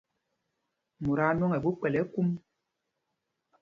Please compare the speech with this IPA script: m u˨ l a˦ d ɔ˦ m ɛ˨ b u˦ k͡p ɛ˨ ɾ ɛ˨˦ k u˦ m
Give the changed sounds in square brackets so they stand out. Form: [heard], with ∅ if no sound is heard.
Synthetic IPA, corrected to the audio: m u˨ [ɾ] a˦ [n] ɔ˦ [ŋ] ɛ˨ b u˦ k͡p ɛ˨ [l] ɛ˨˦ k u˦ m